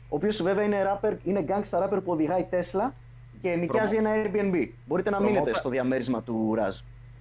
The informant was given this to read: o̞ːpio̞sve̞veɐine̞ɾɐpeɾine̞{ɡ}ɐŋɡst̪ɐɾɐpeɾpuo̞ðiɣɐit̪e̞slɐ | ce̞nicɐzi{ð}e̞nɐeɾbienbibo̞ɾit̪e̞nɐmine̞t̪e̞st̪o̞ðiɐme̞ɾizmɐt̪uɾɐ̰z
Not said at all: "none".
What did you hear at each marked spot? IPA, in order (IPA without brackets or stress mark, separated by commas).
ɡ, none